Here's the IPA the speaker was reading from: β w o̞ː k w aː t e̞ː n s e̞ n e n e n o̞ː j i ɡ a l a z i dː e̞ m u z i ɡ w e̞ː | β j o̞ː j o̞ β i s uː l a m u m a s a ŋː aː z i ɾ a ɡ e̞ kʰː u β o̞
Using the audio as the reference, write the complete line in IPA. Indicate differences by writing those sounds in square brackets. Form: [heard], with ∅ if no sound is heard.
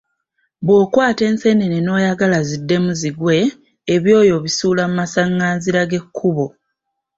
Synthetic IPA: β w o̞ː k w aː t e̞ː n s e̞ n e n e n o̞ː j [a] ɡ a l a z i dː e̞ m u z i ɡ w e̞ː | β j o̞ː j o̞ β i s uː l a m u m a s a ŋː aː z i ɾ a ɡ e̞ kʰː u β o̞